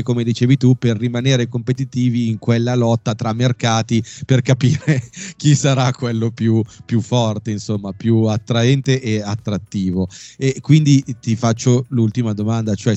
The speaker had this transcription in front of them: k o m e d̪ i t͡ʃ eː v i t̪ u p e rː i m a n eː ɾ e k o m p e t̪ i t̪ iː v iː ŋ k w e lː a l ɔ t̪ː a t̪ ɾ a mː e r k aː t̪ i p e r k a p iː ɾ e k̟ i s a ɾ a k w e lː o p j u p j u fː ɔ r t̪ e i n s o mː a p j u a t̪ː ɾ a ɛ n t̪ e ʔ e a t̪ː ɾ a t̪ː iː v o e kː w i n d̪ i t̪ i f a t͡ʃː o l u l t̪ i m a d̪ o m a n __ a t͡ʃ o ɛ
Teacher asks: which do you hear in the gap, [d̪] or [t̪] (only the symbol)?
d̪